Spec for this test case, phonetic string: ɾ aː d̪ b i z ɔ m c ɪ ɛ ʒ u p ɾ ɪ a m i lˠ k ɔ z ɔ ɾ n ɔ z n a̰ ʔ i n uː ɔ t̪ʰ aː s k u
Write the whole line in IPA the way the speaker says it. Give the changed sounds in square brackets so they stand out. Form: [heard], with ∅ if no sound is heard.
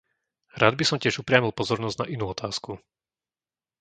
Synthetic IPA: ɾ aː d̪ b i [s] ɔ m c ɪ ɛ ʒ u p ɾ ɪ a m i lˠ [p] ɔ z ɔ ɾ n ɔ z n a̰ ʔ i n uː ɔ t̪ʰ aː s k u